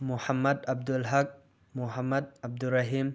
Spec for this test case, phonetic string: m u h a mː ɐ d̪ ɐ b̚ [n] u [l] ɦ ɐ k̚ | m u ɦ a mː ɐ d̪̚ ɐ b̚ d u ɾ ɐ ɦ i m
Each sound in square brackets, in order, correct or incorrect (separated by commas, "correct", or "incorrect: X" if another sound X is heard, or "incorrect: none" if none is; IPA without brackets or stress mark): incorrect: d, correct